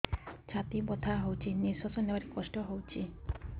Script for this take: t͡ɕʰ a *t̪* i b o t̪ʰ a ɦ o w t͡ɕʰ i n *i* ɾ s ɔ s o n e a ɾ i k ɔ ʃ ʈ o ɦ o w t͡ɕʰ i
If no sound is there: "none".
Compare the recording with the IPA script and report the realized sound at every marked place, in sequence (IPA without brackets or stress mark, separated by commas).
t̪, i